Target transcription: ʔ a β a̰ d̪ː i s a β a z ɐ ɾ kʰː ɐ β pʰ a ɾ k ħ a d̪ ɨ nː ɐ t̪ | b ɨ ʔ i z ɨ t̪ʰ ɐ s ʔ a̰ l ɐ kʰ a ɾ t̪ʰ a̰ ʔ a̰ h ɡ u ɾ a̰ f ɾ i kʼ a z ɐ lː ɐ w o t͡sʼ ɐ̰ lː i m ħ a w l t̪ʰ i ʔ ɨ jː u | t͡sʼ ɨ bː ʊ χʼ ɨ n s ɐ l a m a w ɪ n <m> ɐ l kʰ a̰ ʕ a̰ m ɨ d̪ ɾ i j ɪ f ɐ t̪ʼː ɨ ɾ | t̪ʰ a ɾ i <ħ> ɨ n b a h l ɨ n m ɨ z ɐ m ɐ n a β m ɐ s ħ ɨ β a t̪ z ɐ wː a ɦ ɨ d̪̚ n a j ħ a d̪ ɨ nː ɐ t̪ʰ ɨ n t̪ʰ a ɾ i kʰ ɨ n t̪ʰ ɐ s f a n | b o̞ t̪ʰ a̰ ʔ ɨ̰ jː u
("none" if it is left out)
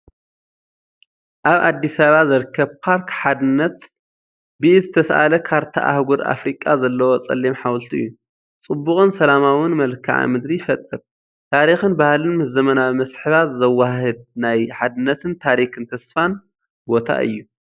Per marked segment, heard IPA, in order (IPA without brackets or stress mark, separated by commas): m, x